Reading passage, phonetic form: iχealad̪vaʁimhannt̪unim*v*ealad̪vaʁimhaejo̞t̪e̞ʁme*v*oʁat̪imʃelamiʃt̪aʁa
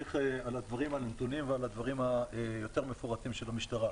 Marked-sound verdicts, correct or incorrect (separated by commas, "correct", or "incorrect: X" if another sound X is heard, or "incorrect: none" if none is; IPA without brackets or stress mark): correct, incorrect: f